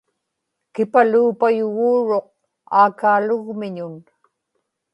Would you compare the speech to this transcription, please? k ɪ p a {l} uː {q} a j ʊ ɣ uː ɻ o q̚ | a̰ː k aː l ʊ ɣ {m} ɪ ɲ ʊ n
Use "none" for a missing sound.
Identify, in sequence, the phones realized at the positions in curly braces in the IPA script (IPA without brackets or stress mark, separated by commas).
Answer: l, p, m